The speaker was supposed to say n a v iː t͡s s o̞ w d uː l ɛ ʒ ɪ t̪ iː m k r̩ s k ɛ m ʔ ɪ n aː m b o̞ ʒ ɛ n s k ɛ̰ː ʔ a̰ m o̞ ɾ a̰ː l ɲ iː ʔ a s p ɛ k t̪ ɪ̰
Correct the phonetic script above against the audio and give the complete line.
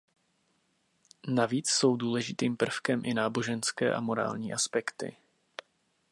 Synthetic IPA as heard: n a v iː t͡s s o̞ w d uː l ɛ ʒ ɪ t̪ iː m p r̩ f k ɛ m ʔ ɪ n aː b o̞ ʒ ɛ n s k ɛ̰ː ʔ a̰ m o̞ ɾ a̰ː l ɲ iː ʔ a s p ɛ k t̪ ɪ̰